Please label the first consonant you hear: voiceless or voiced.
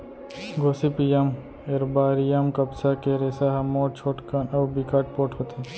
voiced